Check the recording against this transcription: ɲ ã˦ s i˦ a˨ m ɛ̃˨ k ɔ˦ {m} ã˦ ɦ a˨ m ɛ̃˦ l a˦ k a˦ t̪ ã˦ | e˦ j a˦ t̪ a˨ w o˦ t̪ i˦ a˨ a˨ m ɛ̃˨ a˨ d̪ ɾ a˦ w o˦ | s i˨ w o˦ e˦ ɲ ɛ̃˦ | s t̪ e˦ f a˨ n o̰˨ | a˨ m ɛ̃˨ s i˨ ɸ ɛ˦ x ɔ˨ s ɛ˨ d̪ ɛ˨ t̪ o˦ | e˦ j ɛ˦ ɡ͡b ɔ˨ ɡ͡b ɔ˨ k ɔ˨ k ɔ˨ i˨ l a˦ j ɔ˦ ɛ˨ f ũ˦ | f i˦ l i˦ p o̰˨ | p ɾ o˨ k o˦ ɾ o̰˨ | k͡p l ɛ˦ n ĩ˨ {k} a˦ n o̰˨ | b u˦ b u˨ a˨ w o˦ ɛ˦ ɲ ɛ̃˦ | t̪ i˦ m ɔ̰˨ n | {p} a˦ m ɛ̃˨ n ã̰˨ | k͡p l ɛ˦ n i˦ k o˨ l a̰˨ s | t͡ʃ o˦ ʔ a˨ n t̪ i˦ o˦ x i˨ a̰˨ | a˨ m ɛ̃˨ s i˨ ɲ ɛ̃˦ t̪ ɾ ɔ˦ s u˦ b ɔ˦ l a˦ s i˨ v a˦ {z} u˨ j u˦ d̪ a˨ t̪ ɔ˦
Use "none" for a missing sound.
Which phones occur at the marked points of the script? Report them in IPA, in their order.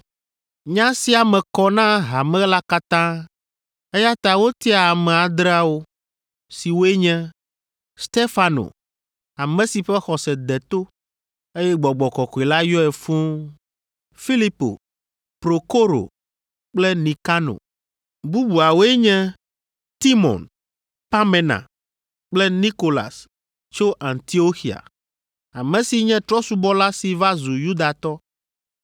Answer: n, k, p, z

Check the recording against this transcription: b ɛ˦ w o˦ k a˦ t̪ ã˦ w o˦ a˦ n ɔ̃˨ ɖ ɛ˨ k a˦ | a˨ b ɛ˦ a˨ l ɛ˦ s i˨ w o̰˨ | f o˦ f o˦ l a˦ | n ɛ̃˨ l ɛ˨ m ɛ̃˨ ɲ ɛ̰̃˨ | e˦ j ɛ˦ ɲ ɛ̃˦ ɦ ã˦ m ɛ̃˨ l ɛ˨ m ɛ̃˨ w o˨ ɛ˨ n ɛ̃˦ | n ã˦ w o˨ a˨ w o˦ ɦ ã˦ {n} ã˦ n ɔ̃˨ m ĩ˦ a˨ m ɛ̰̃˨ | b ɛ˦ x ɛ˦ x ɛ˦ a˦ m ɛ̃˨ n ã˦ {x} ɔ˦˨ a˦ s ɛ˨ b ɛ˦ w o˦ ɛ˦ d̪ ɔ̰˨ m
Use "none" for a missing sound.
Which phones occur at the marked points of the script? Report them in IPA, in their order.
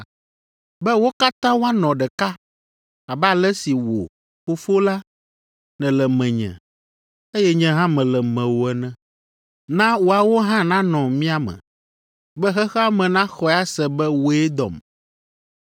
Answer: n, x

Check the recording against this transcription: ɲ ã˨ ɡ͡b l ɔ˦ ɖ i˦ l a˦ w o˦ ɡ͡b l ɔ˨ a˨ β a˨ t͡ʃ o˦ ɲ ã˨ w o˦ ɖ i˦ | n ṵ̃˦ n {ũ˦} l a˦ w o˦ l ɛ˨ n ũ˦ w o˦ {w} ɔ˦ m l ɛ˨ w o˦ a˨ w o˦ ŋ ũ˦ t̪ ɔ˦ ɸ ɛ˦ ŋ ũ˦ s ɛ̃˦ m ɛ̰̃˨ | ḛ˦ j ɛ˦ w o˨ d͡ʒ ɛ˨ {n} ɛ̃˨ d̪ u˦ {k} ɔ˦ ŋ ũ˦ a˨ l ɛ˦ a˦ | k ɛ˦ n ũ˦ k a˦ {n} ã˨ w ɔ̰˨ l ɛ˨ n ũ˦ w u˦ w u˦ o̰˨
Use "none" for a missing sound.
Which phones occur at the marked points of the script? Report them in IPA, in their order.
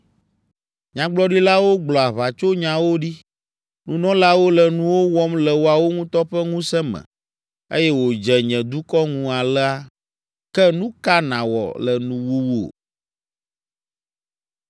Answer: ɔ̃˦, w, ɲ, k, n

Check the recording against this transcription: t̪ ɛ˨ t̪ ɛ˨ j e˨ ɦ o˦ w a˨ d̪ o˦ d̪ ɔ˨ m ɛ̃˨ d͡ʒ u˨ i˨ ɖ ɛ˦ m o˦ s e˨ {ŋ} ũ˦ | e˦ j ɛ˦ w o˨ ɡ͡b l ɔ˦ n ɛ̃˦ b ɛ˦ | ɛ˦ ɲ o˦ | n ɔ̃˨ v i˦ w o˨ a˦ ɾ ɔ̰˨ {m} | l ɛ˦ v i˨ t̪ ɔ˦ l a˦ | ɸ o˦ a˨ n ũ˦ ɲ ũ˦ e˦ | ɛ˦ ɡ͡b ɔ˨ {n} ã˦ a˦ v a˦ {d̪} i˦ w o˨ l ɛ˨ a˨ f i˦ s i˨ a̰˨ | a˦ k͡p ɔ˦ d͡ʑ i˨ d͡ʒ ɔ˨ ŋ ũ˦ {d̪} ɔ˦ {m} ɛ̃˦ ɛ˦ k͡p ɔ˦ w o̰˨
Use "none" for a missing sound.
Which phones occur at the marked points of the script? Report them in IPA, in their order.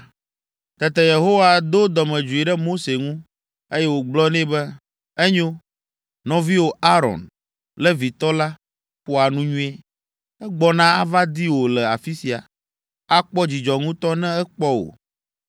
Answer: ŋ, n, n, d̪, t̪, n

